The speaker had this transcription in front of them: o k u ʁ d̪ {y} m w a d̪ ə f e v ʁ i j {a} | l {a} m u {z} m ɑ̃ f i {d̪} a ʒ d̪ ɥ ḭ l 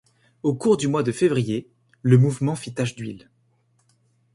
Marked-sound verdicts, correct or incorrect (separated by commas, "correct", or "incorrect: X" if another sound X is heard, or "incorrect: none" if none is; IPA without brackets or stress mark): correct, incorrect: e, incorrect: ə, incorrect: v, incorrect: t̪